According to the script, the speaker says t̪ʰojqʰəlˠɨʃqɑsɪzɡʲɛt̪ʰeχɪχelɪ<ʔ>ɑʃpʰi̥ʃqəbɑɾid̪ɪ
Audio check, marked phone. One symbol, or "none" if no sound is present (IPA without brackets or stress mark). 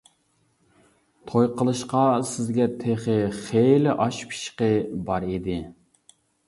ʔ